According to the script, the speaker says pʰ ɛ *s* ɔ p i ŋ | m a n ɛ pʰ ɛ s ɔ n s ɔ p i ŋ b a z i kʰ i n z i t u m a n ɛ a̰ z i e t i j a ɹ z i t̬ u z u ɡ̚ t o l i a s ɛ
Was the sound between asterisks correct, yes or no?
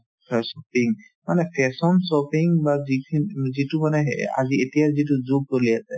yes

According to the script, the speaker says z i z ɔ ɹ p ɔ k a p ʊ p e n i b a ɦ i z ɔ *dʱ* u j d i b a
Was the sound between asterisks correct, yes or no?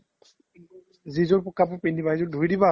yes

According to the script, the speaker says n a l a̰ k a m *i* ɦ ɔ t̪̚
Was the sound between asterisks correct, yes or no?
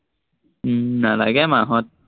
no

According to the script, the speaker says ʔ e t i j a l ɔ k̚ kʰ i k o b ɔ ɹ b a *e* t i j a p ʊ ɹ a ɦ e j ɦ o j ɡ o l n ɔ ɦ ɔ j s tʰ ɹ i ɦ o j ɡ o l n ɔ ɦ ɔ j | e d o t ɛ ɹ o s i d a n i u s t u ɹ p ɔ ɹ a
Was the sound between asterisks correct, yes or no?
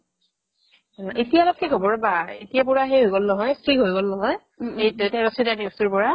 yes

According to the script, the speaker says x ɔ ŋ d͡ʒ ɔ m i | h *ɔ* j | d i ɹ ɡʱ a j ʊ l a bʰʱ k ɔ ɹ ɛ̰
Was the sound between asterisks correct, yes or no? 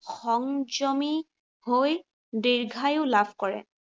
no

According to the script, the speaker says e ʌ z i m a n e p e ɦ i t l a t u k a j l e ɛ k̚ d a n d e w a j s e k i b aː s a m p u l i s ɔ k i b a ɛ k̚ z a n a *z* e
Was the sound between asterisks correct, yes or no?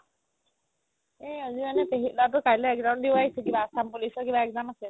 no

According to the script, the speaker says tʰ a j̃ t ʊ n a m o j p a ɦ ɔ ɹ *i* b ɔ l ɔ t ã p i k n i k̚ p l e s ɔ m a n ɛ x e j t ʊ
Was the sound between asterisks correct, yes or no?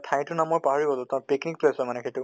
yes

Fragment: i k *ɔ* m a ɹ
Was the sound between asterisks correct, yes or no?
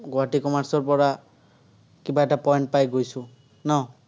yes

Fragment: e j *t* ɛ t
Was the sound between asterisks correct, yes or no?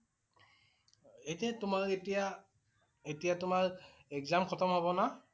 yes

